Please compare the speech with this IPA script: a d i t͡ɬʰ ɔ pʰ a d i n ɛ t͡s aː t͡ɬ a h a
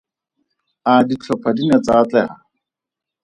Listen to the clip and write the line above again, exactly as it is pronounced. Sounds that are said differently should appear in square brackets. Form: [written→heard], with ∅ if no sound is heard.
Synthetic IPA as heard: a d i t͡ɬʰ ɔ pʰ a d i n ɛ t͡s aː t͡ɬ [a→ɛ] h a